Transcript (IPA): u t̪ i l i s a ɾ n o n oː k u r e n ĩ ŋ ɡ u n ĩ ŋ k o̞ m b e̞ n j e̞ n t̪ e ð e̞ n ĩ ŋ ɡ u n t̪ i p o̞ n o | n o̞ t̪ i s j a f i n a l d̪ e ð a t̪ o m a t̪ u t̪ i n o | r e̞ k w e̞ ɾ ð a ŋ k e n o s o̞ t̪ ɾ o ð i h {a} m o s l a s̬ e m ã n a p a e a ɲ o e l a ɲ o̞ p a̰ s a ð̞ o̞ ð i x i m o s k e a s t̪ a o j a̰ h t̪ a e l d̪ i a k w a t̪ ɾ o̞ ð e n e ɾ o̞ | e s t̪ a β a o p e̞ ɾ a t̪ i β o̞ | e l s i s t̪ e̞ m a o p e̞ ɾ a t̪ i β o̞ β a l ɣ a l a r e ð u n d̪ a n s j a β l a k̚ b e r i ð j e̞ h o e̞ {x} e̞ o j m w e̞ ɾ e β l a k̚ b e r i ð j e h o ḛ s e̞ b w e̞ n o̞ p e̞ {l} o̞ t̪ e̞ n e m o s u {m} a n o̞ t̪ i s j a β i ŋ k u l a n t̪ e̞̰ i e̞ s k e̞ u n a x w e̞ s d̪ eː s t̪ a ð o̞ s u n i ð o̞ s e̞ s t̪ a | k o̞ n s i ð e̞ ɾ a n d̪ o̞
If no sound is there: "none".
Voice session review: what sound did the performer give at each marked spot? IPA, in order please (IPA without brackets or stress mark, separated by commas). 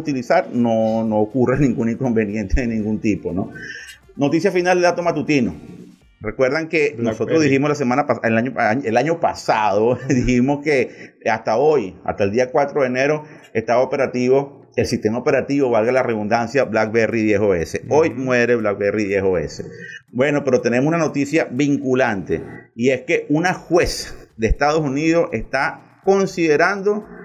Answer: i, s, ɾ, n